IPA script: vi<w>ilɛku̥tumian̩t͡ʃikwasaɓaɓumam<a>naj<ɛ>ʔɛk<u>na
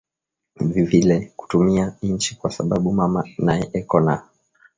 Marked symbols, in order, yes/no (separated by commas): no, yes, yes, no